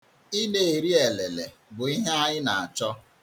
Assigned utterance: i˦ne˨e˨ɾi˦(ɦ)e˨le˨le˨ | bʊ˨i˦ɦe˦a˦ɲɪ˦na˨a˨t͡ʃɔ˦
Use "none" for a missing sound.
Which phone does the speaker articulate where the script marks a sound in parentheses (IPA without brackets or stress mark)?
none